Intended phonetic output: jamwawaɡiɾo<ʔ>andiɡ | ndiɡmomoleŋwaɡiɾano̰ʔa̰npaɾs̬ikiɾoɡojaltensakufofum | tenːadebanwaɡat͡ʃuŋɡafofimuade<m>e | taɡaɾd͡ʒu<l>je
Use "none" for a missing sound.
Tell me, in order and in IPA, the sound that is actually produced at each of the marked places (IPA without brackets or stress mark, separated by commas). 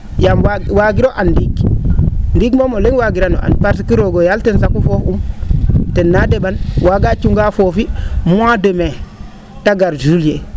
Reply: ʔ, m, l